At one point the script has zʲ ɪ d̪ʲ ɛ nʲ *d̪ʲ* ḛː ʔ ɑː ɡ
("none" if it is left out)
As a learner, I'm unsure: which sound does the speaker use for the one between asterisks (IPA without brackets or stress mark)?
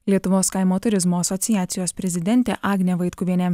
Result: t̪ʲ